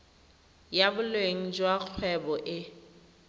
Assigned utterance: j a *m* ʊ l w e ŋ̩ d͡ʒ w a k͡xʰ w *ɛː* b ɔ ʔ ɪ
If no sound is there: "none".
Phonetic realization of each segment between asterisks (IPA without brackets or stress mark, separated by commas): b, ɛ